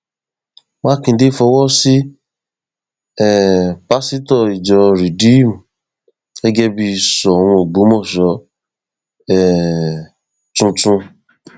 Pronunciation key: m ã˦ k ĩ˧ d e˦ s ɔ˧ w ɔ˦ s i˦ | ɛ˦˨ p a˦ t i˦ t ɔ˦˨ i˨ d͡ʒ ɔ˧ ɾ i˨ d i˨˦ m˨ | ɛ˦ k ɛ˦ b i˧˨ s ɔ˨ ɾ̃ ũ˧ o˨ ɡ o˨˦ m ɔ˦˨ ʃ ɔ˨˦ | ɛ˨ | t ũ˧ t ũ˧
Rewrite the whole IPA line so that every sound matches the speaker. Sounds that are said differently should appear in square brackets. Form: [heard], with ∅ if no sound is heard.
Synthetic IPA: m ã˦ k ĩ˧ d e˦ [f] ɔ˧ w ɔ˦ s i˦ | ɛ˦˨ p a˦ [s] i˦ t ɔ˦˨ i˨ d͡ʒ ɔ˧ ɾ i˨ d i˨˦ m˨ | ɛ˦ [ɡ] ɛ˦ b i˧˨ s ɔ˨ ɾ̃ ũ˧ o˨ [ɡ͡b] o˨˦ m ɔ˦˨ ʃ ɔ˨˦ | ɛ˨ | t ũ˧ t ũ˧